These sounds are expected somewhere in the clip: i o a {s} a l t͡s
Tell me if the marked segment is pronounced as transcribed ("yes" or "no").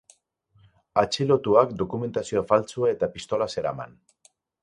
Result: no